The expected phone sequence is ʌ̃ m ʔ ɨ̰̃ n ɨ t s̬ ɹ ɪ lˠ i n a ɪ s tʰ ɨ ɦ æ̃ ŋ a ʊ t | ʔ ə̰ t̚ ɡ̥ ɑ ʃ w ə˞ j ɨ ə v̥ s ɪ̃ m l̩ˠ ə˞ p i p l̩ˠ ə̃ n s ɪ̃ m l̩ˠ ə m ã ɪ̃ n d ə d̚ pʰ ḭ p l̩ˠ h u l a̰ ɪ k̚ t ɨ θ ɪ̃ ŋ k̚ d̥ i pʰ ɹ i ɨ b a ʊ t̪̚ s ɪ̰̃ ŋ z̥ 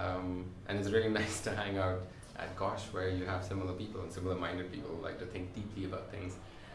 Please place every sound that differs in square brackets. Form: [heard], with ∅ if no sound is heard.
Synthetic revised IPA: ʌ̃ m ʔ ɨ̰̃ n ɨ t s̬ ɹ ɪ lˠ i n a ɪ s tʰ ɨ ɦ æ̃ ŋ a ʊ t | ʔ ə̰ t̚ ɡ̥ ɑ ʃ w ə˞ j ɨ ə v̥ s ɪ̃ m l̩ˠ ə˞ p i p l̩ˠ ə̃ n s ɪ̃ m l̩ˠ ə m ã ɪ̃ n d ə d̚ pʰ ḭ p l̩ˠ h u l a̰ ɪ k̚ t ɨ θ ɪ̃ ŋ k̚ d̥ i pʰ [l] i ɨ b a ʊ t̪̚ [θ] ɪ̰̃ ŋ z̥